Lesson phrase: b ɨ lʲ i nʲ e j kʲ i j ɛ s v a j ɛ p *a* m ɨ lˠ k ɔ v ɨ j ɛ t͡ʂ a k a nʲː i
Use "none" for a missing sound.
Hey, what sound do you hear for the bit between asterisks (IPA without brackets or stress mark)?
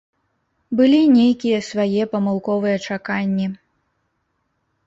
ɐ